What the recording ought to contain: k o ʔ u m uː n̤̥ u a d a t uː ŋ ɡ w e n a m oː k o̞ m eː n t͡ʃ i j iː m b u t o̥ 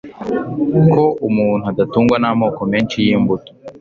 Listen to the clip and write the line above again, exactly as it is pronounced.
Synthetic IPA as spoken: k o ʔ u m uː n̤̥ u a d a t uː ŋ ɡ w a n a m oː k o̞ m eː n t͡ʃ i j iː m b u t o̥